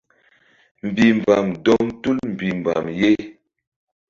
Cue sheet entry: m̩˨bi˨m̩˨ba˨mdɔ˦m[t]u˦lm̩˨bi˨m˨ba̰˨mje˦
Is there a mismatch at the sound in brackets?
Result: no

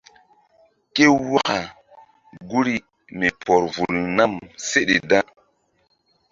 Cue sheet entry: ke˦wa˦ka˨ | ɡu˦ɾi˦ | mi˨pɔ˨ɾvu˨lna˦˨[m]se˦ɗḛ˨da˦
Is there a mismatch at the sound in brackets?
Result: no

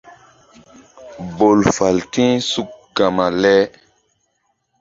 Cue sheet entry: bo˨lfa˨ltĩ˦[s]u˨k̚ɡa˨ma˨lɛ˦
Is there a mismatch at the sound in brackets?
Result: no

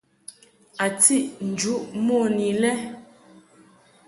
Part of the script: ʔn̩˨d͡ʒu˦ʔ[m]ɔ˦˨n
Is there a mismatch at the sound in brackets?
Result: no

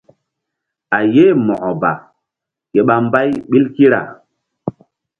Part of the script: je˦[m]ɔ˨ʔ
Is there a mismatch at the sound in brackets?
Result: no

